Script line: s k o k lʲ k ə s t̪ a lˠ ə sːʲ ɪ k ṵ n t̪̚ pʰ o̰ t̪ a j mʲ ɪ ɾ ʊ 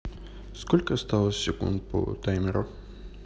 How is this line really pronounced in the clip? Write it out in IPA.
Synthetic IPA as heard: s k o lʲ k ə s t̪ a lˠ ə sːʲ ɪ k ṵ n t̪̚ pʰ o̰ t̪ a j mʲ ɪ ɾ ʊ